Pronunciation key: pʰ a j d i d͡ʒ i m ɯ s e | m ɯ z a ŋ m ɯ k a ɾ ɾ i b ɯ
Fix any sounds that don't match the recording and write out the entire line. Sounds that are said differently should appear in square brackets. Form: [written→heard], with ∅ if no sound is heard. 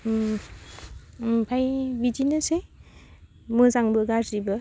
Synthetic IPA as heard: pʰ a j [d→b] i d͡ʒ i [m→n] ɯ s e | m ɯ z a ŋ [m→b] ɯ [k→ɡ] a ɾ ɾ i b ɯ